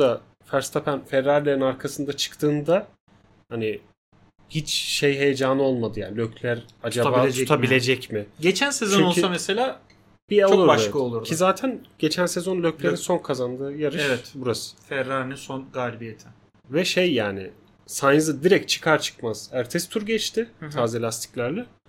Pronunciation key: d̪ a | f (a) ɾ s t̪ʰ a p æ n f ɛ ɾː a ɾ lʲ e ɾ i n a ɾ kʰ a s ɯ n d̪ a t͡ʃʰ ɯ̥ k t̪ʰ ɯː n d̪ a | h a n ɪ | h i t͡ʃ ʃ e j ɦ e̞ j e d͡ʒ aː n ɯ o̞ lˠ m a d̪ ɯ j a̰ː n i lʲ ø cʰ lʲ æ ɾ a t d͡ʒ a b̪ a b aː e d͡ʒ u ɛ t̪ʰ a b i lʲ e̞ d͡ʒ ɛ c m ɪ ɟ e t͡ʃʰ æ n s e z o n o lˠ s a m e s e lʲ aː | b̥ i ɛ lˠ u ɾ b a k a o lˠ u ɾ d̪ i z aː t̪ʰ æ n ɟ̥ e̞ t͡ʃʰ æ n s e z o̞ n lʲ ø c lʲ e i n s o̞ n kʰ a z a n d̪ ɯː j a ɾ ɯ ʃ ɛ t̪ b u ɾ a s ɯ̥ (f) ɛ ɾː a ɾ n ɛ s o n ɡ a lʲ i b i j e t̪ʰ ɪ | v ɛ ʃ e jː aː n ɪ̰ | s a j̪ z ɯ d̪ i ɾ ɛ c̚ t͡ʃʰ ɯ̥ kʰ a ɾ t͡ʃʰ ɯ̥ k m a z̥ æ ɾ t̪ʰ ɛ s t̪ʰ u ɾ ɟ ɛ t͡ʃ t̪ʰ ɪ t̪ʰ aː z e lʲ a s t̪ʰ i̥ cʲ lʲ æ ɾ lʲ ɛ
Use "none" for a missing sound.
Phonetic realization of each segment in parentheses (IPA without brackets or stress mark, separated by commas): æ, f